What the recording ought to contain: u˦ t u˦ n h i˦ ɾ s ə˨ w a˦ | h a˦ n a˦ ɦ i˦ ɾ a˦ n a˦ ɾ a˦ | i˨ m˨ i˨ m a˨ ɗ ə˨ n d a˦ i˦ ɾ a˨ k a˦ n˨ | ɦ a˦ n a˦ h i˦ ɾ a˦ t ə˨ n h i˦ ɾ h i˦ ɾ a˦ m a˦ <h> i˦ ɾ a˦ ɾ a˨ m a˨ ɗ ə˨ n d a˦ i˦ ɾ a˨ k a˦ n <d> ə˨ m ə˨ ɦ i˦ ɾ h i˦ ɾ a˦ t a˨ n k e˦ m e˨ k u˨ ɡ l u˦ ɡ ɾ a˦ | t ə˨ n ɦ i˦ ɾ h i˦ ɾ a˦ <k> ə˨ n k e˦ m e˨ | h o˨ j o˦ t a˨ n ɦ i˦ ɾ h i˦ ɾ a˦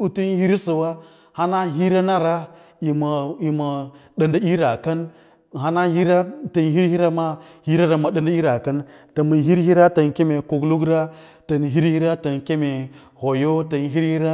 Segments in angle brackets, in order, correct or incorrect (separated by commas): correct, incorrect, incorrect